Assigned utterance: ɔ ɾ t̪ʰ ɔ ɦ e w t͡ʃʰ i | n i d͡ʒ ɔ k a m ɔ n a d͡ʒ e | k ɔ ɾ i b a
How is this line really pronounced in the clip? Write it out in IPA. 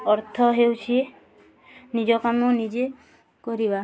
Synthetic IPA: ɔ ɾ t̪ʰ ɔ ɦ e w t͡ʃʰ i | n i d͡ʒ ɔ k a m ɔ n i d͡ʒ e | k ɔ ɾ i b a